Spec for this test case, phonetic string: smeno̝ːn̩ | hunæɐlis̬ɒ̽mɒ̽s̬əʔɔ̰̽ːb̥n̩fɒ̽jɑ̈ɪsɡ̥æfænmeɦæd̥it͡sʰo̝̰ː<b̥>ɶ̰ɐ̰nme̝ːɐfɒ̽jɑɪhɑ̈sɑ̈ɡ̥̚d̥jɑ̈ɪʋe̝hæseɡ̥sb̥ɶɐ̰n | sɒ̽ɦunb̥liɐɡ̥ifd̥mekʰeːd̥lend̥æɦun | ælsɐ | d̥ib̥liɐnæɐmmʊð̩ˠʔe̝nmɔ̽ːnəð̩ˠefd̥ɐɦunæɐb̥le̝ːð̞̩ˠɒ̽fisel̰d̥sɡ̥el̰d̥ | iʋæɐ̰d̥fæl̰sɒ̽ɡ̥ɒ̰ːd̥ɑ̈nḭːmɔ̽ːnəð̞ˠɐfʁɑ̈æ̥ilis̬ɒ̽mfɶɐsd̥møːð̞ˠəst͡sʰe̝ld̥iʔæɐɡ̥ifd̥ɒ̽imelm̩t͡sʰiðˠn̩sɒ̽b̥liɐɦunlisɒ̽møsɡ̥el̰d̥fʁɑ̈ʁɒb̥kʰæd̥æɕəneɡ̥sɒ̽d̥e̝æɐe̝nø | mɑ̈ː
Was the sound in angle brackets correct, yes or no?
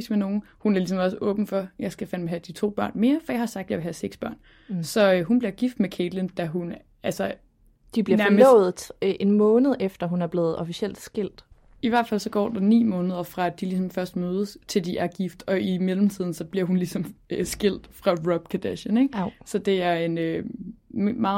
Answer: yes